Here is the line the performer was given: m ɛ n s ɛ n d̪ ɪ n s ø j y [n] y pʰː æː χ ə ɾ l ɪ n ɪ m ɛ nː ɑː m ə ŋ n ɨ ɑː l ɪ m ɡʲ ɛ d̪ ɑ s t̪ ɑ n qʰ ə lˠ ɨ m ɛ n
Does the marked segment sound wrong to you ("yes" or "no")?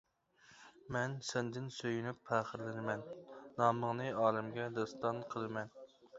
no